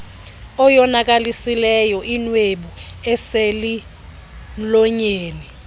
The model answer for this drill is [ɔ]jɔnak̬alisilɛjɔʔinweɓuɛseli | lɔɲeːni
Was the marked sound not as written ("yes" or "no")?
no